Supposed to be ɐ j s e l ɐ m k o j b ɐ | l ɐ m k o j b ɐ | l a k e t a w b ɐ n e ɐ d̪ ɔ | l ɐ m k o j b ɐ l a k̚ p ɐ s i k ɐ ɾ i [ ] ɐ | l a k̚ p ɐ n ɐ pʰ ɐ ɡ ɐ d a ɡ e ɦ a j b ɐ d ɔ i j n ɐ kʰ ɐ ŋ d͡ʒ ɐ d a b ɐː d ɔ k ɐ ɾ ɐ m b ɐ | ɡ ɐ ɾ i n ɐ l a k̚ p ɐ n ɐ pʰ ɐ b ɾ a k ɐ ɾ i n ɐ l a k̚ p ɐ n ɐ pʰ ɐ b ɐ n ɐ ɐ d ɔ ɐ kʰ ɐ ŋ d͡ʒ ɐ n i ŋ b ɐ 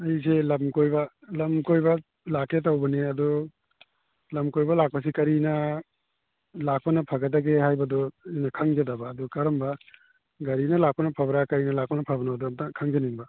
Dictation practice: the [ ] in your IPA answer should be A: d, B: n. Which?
B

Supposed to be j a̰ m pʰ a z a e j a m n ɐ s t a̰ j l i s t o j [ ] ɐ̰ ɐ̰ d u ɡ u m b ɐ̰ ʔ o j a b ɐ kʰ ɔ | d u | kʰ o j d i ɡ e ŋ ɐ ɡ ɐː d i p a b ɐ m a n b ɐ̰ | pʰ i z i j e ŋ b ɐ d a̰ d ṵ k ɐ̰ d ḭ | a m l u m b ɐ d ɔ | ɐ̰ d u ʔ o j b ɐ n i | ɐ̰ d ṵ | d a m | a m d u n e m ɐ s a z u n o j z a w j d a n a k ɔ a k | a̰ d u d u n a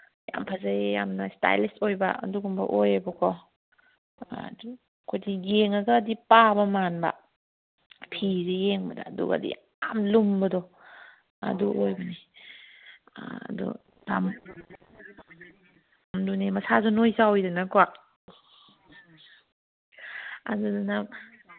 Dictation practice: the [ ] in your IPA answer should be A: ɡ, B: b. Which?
B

